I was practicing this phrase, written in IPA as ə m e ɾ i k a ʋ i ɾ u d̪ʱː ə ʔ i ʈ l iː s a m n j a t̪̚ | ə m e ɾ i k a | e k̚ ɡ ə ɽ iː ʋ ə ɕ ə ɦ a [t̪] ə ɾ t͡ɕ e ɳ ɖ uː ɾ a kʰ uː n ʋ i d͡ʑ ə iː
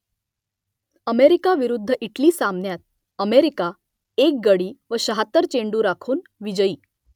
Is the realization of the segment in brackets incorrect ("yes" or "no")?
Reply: no